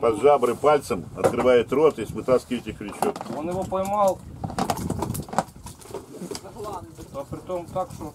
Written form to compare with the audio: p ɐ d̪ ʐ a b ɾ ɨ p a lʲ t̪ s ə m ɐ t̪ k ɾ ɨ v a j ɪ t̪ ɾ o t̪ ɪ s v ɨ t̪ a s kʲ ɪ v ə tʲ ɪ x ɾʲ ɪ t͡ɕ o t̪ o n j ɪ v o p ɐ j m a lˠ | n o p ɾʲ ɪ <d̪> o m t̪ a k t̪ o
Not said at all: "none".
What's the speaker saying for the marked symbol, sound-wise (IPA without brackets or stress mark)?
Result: t̪